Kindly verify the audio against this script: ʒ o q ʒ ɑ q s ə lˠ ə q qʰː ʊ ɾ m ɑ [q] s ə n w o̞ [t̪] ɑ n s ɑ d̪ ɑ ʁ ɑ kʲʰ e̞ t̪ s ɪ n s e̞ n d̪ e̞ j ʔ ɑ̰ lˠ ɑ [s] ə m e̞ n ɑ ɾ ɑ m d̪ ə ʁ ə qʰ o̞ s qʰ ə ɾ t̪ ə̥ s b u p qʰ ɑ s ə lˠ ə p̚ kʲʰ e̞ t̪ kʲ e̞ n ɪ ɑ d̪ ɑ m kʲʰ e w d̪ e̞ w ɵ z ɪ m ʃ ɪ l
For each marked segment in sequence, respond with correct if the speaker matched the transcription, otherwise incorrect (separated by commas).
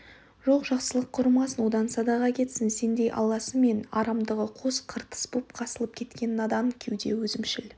incorrect, incorrect, correct